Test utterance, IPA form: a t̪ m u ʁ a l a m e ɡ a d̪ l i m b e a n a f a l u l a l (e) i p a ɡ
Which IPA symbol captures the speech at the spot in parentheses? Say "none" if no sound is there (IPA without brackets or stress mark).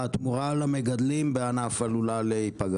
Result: e